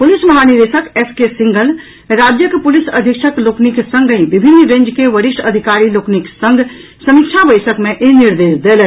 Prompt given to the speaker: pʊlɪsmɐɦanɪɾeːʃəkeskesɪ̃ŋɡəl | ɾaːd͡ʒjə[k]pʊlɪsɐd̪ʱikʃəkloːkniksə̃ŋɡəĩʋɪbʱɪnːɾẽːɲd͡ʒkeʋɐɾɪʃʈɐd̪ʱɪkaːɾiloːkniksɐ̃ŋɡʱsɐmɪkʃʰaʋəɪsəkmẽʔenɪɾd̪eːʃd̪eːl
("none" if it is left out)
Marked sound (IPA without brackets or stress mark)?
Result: k